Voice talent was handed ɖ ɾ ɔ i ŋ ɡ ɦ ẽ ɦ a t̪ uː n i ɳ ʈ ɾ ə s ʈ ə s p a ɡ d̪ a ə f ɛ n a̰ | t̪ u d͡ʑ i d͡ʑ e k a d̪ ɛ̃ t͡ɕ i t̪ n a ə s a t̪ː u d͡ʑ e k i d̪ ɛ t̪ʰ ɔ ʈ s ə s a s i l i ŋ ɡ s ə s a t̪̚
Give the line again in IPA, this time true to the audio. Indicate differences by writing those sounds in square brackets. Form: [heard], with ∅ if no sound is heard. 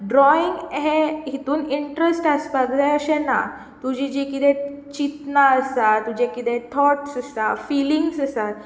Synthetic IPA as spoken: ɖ ɾ ɔ i ŋ ɡ ɦ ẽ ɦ [i] t̪ uː n i ɳ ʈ ɾ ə s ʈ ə s p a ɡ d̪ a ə [ɕ] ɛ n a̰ | t̪ u d͡ʑ i d͡ʑ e k [i] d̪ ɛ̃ t͡ɕ i t̪ n a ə s a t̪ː u d͡ʑ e k i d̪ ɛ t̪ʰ ɔ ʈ s ə s a [f] i l i ŋ ɡ s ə s a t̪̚